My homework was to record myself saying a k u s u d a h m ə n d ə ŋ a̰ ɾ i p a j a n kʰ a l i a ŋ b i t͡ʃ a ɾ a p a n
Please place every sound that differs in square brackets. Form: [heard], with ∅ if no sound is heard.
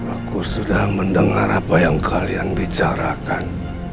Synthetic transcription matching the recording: a k u s u d a h m ə n d ə ŋ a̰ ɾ [a] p a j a [ŋ] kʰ a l [j] a ŋ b i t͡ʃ a ɾ a [k] a n